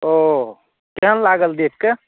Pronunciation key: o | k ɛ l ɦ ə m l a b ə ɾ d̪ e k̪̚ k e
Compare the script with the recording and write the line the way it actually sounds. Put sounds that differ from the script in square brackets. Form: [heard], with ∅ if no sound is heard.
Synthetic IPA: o | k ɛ [∅] ɦ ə [n] l a [ɡ] ə [l] d̪ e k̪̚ k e